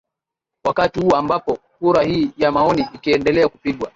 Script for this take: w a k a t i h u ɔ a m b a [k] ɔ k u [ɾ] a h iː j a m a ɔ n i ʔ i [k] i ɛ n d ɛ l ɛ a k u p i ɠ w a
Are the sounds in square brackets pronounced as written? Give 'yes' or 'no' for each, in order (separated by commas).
no, yes, yes